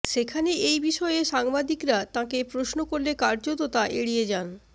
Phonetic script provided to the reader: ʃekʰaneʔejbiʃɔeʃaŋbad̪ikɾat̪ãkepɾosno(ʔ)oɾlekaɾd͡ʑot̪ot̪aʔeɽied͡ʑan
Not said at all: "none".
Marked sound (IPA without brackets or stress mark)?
k